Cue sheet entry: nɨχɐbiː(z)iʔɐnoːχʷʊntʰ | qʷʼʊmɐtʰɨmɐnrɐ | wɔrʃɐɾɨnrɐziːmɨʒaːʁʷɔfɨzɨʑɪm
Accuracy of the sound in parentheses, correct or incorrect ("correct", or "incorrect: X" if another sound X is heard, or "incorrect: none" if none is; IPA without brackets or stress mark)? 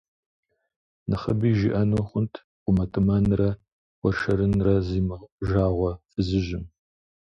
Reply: incorrect: ʒ